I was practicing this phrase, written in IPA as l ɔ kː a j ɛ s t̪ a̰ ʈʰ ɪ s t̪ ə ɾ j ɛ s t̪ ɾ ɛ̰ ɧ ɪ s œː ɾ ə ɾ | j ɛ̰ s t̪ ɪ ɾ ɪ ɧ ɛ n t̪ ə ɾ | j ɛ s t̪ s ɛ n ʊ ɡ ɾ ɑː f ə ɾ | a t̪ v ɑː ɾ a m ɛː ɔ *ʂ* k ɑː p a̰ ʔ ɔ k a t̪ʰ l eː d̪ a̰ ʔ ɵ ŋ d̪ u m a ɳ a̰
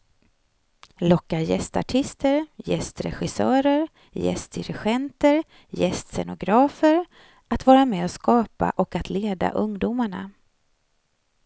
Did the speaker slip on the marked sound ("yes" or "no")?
yes